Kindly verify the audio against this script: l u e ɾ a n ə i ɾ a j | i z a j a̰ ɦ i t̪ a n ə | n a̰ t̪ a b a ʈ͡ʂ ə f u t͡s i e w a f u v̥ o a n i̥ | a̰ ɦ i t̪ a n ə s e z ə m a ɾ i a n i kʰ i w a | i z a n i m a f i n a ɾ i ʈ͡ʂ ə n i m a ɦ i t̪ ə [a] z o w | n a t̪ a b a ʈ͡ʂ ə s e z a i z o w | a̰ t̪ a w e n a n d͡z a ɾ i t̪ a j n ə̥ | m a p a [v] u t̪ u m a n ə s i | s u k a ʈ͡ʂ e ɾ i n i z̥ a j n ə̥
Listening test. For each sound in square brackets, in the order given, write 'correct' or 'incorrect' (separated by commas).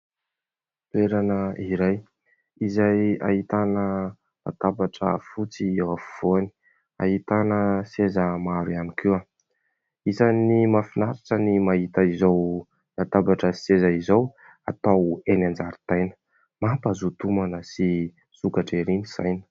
incorrect, incorrect